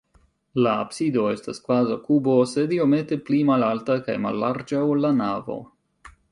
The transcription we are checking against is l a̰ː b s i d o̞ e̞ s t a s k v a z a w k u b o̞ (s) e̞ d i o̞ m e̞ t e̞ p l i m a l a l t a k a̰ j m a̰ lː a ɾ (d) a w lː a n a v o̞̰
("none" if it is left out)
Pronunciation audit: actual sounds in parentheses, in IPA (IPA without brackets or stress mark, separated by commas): s, d͡ʒ